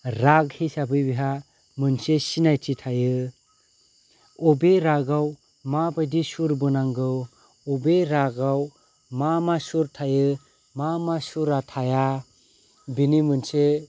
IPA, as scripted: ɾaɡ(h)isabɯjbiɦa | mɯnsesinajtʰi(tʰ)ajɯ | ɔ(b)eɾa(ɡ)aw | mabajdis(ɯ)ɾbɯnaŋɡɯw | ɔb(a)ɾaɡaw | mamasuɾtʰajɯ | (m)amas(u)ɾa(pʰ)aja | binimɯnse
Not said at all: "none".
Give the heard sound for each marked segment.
h, tʰ, b, ɡ, u, e, m, u, tʰ

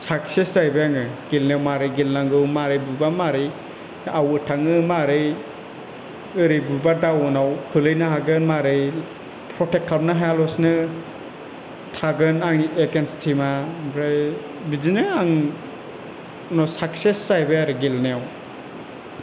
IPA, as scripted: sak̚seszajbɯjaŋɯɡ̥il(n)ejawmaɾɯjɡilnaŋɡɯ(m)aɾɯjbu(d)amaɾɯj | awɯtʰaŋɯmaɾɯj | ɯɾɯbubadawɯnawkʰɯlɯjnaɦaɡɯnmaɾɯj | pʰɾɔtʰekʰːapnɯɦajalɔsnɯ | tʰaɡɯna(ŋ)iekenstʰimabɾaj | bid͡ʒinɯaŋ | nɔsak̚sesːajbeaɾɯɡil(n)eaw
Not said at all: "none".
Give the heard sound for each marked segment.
n, m, b, ŋ, n

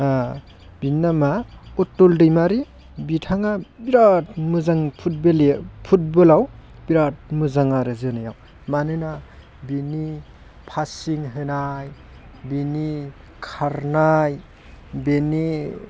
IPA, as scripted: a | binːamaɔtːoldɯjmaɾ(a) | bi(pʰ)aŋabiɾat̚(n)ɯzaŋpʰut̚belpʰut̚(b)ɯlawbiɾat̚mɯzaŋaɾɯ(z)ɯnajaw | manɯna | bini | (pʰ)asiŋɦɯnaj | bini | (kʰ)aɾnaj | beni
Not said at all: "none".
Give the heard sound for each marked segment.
i, tʰ, m, b, z, pʰ, kʰ

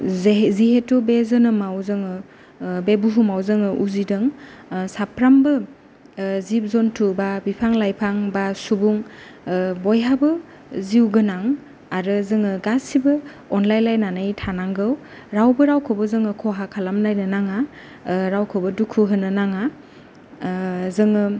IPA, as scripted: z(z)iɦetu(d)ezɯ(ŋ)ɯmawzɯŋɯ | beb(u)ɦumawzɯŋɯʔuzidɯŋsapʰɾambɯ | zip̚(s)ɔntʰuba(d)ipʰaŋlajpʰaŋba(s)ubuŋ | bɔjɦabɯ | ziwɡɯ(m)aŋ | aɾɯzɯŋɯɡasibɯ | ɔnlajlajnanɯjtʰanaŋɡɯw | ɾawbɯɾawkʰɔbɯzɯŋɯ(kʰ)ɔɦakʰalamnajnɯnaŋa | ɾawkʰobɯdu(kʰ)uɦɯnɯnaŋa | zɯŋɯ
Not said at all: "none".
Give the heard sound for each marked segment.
z, b, n, u, z, b, s, n, kʰ, kʰ

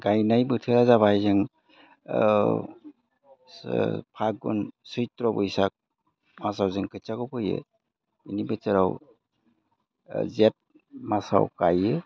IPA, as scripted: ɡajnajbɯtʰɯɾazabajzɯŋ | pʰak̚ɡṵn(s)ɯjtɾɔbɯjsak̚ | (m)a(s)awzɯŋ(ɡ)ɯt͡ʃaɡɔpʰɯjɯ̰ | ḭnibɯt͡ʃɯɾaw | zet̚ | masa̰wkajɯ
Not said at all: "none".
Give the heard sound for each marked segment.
s, m, s, k

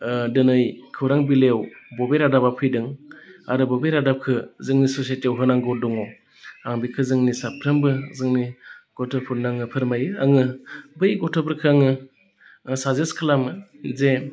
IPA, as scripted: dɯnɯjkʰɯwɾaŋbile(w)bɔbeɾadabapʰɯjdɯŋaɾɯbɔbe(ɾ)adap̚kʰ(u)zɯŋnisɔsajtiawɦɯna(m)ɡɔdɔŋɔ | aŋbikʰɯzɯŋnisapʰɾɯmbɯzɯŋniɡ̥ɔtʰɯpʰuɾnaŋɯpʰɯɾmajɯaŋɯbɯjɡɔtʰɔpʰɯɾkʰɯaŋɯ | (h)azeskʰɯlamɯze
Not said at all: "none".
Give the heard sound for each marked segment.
w, ɾ, ɯ, ŋ, s

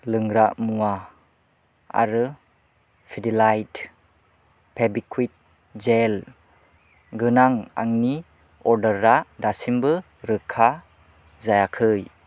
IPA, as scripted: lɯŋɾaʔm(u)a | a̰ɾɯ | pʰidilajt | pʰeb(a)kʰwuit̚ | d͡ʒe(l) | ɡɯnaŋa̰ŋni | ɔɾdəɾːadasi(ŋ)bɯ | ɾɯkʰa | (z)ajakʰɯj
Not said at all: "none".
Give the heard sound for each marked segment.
u, i, l, m, z

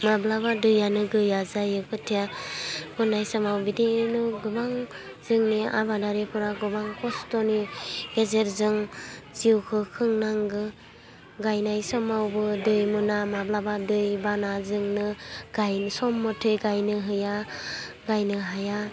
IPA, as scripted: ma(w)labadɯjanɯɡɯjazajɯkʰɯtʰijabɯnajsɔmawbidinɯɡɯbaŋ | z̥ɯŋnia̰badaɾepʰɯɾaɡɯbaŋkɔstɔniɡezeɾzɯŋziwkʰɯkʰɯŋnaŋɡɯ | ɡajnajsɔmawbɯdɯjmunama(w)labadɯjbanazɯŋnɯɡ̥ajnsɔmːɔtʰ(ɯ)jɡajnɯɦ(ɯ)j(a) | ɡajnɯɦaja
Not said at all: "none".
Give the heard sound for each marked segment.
b, b, ɯ, ɯ, a

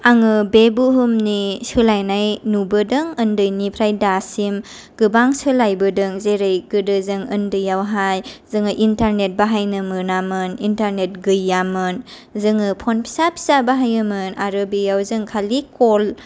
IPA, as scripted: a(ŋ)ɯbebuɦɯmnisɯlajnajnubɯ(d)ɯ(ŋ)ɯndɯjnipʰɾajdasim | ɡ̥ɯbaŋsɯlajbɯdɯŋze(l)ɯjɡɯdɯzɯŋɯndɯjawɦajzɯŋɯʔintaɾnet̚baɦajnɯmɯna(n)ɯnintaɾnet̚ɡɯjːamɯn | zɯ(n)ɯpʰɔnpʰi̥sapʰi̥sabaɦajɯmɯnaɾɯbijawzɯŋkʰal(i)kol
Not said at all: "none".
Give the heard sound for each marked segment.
ŋ, d, ŋ, ɾ, m, ŋ, i

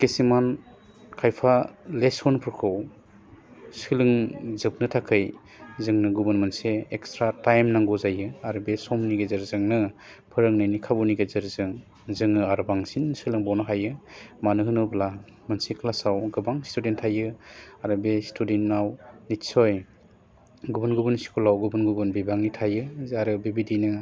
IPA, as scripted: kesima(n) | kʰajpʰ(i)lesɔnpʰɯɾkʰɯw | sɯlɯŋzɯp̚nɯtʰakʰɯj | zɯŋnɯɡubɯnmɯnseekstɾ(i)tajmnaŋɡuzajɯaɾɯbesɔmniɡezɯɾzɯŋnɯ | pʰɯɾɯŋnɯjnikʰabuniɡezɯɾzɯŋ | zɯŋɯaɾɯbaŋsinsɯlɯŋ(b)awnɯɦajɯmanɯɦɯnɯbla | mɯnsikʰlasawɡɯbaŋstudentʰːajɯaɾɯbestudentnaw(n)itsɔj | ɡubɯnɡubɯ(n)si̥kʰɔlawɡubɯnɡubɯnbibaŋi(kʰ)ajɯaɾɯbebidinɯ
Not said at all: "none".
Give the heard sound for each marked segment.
n, a, a, b, n, n, tʰ

